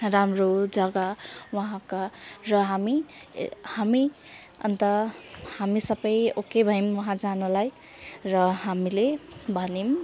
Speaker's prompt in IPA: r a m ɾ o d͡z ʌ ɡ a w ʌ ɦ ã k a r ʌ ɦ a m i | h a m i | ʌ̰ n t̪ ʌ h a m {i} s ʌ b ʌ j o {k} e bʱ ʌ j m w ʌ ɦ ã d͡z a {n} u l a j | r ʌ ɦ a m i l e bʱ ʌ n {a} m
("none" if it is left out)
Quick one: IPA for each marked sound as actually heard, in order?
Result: i, k, n, i

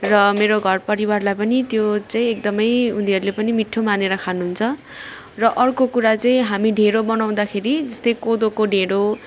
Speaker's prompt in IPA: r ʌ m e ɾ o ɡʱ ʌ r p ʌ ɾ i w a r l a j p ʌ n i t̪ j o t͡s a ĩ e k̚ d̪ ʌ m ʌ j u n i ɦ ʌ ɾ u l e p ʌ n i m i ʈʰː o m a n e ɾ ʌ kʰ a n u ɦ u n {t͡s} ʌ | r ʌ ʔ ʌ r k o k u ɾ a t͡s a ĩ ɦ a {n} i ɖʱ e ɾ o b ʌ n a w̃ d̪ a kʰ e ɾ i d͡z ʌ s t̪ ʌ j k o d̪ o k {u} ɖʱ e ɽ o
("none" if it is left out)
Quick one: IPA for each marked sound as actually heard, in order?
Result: t͡sʰ, m, o

